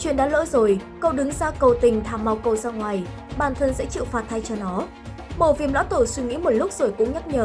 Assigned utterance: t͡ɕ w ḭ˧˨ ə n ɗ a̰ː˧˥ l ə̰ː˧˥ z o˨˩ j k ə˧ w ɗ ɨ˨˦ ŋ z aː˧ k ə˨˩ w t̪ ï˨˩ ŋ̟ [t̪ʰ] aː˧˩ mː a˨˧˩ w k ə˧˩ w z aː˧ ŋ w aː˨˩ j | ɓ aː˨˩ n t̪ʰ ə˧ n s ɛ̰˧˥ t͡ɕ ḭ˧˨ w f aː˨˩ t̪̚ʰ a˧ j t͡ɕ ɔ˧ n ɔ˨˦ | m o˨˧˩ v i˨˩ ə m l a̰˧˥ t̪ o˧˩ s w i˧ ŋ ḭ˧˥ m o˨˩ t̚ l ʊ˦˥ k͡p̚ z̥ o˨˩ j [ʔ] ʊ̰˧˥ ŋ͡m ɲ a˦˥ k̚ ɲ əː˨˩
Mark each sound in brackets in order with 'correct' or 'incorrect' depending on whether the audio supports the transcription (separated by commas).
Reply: correct, incorrect